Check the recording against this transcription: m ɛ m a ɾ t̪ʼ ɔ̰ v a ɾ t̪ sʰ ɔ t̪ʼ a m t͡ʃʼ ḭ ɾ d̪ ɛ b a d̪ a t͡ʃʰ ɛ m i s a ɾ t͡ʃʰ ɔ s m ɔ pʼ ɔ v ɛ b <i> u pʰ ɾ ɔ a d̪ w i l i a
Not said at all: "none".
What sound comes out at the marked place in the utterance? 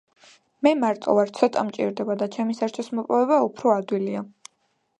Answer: a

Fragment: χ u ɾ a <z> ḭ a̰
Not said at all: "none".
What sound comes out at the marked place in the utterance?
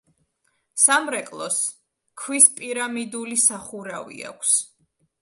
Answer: v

